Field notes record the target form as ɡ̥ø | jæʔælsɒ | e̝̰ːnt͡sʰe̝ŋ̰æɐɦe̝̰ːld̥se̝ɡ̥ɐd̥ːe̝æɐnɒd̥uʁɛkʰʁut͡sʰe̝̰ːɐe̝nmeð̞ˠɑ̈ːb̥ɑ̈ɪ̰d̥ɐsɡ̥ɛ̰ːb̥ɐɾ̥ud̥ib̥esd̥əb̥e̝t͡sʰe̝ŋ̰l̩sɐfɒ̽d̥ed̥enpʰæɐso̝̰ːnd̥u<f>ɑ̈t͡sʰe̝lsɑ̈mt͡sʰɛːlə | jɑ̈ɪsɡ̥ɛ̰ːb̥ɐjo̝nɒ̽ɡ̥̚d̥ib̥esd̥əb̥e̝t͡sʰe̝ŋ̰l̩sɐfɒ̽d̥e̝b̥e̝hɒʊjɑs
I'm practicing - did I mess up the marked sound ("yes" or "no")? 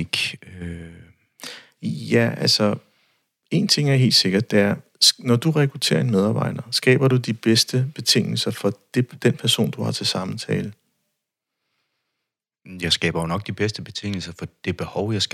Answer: yes